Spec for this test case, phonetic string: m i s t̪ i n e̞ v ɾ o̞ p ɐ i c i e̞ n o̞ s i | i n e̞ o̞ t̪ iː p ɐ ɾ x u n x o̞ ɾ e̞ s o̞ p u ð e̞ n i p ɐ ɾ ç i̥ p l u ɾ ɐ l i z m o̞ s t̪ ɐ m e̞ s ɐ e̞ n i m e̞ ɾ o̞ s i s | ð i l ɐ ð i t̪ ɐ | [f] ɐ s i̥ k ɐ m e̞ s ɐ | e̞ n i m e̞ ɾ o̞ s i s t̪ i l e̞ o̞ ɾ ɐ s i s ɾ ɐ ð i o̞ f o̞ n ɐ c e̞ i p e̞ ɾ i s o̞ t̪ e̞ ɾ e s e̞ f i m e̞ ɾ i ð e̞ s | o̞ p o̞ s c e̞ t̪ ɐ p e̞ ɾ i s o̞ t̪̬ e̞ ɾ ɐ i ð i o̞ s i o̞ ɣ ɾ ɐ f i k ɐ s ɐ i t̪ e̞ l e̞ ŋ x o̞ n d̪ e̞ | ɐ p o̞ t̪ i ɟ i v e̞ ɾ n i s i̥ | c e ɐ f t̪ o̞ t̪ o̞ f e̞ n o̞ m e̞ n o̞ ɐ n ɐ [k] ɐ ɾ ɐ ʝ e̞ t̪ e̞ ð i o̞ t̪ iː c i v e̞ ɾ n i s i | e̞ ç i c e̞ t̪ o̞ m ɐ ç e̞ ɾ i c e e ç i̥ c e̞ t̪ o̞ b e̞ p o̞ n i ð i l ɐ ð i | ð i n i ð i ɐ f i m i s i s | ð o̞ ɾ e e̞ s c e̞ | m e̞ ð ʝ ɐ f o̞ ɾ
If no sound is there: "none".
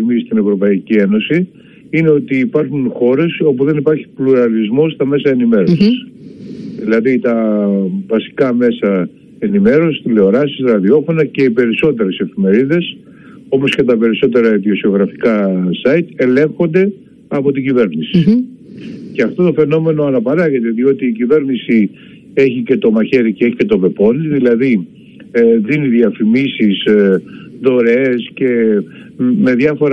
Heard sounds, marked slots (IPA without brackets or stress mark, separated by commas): v, p